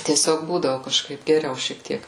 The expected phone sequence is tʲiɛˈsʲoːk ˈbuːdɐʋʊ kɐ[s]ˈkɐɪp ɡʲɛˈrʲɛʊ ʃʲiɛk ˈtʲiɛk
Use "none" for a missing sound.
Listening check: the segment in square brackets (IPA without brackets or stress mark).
ʃ